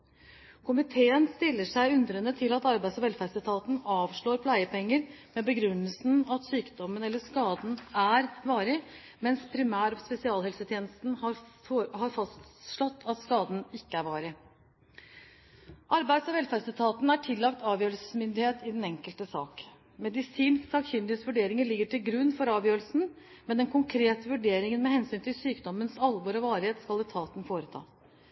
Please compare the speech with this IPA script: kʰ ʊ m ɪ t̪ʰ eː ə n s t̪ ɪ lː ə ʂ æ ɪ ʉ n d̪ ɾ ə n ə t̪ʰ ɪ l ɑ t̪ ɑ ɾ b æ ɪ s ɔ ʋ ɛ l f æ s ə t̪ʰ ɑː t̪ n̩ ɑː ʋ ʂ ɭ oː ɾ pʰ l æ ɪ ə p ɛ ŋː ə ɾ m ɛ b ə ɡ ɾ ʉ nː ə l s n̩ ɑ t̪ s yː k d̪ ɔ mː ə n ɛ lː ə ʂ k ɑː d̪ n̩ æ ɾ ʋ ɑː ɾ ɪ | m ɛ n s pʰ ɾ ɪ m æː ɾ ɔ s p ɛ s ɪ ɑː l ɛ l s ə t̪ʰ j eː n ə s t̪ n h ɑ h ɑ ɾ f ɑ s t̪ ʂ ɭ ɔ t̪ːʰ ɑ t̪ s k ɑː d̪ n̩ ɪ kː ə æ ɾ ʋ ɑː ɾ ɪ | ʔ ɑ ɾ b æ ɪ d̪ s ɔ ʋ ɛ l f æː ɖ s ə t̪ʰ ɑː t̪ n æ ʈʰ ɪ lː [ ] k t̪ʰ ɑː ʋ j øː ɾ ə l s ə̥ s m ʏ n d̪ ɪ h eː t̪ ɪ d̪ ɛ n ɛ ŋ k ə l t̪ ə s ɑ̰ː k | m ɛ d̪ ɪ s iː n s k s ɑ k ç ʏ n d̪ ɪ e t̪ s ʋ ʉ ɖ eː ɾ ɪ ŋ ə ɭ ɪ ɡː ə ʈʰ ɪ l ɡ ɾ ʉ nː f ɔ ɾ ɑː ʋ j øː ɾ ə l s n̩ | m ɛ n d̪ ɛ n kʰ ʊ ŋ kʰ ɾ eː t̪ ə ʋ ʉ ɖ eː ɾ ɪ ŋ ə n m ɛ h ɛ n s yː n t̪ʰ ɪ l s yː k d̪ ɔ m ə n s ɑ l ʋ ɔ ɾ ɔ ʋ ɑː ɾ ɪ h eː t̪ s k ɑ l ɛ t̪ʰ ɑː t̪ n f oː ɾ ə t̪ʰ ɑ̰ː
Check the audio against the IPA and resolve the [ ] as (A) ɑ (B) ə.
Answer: A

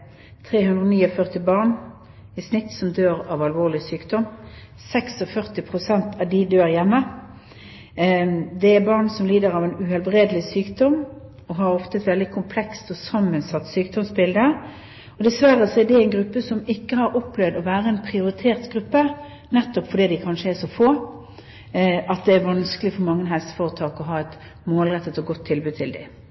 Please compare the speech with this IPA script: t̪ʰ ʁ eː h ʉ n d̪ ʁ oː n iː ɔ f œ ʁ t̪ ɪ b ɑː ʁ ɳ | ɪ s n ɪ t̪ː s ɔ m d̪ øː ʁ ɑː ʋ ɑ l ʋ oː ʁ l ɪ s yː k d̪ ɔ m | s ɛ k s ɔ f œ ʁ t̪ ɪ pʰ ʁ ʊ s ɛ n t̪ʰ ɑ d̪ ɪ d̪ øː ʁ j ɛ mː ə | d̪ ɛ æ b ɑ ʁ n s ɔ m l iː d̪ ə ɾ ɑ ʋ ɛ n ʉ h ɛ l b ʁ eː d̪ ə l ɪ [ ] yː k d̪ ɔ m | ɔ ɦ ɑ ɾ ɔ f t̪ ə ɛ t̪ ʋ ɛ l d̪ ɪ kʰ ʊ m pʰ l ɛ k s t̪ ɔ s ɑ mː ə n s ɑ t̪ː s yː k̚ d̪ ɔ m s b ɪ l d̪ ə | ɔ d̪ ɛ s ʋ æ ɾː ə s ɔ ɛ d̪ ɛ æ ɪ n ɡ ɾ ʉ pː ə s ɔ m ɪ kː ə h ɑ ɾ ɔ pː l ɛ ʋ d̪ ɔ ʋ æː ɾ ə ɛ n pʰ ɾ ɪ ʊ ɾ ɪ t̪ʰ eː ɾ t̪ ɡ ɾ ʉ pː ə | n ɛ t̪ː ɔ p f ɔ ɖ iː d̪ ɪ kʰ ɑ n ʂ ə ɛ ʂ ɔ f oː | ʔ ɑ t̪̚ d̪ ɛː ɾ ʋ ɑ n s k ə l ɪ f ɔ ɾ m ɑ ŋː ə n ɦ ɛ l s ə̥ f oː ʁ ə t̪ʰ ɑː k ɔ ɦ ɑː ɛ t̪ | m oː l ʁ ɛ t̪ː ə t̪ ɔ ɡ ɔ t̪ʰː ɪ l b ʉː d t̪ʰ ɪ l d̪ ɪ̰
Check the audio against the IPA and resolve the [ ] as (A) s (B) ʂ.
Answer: A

